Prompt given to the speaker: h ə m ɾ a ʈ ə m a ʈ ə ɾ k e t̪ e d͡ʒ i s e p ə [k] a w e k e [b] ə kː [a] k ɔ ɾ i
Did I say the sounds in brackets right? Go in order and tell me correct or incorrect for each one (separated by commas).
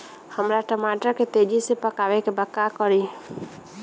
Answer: correct, correct, correct